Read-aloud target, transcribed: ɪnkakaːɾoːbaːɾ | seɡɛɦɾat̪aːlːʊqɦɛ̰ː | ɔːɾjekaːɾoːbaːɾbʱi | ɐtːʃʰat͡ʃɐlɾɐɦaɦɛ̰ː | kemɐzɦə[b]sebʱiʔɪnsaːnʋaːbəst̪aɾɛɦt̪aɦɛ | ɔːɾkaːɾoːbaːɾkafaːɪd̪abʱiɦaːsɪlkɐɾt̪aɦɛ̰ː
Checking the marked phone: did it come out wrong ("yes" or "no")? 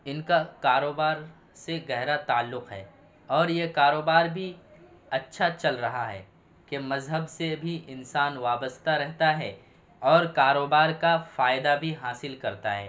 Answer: no